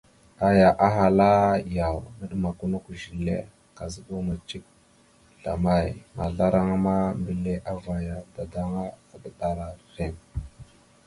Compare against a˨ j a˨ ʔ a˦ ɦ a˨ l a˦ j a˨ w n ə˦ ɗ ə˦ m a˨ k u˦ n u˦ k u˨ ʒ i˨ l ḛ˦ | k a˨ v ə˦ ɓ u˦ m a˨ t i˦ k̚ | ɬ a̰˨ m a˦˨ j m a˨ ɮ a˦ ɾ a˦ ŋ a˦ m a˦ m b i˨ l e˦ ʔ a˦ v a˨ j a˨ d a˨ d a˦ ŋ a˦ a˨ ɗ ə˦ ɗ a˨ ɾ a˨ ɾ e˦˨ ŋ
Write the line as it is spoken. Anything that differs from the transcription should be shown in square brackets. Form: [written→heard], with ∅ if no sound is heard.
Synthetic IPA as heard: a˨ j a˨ ʔ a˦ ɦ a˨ l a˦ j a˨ w n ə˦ ɗ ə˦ m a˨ k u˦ n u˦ k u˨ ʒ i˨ l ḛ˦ | k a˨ [v→z] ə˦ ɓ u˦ m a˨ [t→t͡ʃ] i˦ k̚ | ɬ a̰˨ m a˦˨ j m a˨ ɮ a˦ ɾ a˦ ŋ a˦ m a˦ m b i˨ l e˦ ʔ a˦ v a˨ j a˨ d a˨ d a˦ ŋ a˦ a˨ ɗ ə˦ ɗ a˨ ɾ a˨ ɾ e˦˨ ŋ